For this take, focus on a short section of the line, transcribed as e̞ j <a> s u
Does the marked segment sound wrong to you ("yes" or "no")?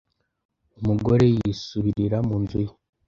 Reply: yes